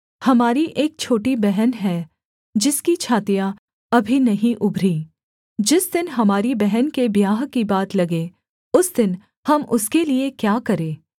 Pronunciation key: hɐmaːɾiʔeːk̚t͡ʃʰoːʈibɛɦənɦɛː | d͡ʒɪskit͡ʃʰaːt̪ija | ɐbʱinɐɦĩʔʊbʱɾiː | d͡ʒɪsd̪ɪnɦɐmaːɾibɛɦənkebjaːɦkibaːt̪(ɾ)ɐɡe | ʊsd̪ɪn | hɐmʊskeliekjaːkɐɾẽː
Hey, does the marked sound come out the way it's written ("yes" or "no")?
no